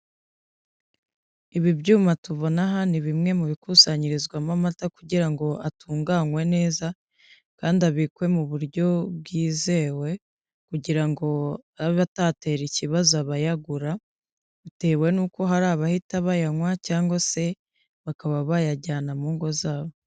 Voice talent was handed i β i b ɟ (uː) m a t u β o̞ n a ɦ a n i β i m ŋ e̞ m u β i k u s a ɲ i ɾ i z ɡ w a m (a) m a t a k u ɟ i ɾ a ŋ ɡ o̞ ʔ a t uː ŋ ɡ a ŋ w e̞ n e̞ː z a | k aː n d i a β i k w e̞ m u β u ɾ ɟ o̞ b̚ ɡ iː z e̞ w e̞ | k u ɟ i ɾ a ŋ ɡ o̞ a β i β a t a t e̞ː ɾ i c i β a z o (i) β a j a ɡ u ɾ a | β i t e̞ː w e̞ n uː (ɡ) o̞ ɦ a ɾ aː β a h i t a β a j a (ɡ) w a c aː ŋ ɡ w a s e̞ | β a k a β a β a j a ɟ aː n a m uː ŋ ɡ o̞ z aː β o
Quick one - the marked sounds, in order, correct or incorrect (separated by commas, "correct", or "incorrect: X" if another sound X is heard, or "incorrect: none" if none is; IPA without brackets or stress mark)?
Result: correct, correct, incorrect: a, incorrect: k, incorrect: ŋ